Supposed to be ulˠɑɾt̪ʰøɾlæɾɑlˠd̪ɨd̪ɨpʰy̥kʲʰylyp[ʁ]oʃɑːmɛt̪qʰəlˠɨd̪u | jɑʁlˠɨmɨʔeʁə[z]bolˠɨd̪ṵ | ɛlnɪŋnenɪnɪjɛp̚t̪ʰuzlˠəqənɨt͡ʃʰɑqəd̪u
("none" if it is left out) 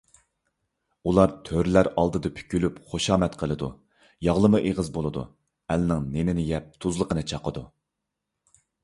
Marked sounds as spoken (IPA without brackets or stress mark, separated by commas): χ, z